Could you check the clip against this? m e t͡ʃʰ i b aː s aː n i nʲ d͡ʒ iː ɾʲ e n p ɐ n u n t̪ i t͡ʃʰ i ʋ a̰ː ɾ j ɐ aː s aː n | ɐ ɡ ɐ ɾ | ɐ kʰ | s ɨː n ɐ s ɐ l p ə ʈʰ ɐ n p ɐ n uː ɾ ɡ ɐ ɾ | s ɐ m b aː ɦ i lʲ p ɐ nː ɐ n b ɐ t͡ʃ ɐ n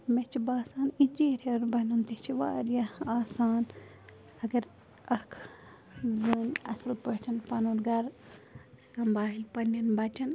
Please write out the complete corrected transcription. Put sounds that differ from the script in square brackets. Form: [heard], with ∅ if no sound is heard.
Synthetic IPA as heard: m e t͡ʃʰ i b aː s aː n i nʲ d͡ʒ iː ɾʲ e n [b] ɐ n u n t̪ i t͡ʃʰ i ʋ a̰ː ɾ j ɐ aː s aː n | ɐ ɡ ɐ ɾ | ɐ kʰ | [z] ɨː n ɐ s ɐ l p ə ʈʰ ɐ n p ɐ n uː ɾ ɡ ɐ ɾ | s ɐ m b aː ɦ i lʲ p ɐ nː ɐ n b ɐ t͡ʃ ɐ n